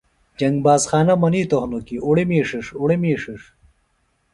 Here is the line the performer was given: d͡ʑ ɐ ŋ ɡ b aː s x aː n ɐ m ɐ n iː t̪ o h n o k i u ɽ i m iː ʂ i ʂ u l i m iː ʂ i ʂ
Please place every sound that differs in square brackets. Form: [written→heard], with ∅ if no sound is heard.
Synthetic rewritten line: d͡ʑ ɐ ŋ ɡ b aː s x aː n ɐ m ɐ n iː t̪ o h n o k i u ɽ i m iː ʂ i ʂ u [l→ɽ] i m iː ʂ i ʂ